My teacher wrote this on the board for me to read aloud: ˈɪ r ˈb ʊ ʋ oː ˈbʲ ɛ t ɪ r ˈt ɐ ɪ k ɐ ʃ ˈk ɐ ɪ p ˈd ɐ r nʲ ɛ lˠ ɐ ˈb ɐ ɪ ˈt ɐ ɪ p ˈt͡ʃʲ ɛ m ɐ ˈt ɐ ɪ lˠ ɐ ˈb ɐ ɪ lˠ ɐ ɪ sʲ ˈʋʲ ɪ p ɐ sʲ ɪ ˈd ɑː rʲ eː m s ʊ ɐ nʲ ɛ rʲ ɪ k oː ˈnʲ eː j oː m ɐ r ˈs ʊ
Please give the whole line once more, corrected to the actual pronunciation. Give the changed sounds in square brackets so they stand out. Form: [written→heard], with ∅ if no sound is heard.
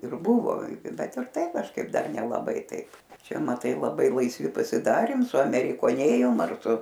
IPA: ˈɪ r ˈb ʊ ʋ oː ˈbʲ ɛ t ɪ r ˈt ɐ ɪ k ɐ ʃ ˈk ɐ ɪ p ˈd ɐ r nʲ ɛ lˠ ɐ ˈb ɐ ɪ ˈt ɐ ɪ p ˈt͡ʃʲ ɛ m ɐ ˈt ɐ ɪ lˠ ɐ ˈb ɐ ɪ lˠ ɐ ɪ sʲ ˈʋʲ ɪ p ɐ sʲ ɪ ˈd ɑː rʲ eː m s ʊ ɐ [nʲ→mʲ] ɛ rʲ ɪ k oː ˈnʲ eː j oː m ɐ r ˈs ʊ